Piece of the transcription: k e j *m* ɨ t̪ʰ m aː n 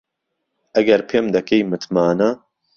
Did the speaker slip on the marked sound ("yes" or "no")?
no